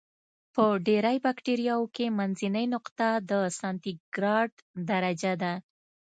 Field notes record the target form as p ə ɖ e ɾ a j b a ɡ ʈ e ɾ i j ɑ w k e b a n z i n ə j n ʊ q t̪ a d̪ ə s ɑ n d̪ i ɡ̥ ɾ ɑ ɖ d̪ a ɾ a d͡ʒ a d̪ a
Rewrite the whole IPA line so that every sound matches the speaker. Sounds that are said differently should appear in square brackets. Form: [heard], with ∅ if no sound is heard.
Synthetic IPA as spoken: p ə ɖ e ɾ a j b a [k] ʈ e ɾ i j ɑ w k e [m] a n z i n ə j n ʊ q t̪ a d̪ ə s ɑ n [t̪] i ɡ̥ ɾ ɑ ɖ d̪ a ɾ a d͡ʒ a d̪ a